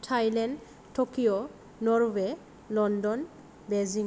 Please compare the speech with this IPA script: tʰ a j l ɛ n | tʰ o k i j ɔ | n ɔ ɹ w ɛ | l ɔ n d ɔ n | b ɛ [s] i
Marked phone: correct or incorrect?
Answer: incorrect